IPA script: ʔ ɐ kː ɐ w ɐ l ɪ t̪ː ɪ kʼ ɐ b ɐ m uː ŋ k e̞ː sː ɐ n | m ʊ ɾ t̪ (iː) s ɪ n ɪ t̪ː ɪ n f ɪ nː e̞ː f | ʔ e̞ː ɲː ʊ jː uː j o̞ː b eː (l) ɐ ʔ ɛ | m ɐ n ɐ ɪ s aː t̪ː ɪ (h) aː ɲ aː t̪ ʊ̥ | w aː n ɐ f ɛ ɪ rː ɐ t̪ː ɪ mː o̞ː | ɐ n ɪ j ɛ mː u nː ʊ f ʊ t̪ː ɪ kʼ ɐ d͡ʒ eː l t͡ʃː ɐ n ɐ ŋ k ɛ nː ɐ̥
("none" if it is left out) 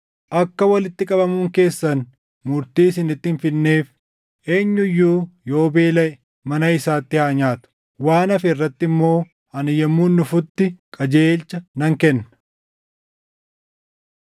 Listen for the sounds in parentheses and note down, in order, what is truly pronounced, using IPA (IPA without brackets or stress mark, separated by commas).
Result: iː, l, h